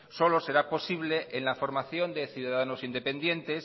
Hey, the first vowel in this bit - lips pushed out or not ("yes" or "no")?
yes